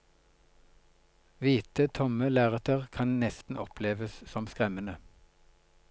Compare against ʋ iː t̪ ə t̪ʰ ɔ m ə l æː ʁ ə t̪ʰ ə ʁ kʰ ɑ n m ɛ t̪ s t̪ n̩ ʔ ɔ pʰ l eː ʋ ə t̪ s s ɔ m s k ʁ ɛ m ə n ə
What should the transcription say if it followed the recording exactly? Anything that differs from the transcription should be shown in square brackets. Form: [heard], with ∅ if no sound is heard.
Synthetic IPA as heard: ʋ iː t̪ ə t̪ʰ ɔ m ə l æː ʁ ə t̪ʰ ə ʁ kʰ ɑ n [n] ɛ [∅] s t̪ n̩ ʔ ɔ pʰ l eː ʋ ə [∅] s s ɔ m s k ʁ ɛ m ə n ə